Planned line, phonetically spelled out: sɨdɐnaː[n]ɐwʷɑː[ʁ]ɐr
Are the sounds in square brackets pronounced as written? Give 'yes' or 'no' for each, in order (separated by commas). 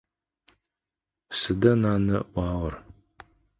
yes, yes